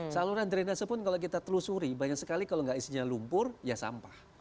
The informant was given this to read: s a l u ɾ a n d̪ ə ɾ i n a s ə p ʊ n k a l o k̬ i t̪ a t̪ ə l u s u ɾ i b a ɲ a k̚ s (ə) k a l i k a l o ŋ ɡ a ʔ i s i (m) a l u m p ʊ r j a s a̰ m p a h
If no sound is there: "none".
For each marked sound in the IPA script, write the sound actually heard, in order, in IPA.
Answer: ə, ɲ

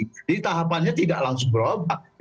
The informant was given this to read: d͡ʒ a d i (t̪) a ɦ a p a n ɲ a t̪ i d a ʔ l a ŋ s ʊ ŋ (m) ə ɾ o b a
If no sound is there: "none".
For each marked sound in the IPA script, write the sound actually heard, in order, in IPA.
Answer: t̪, b

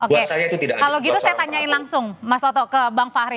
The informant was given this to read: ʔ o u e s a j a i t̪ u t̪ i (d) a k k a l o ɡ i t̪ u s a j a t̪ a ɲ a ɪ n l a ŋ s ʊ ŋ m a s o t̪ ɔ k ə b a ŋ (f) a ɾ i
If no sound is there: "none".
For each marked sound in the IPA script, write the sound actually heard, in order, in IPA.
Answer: d, f

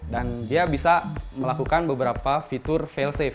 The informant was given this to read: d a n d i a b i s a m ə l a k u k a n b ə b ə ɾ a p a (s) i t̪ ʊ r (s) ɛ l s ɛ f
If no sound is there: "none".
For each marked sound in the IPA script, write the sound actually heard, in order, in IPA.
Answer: f, f

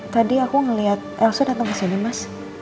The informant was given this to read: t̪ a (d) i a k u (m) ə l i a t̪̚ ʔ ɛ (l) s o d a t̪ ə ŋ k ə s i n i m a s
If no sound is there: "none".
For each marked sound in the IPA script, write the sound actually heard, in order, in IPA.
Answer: d, ŋ, l

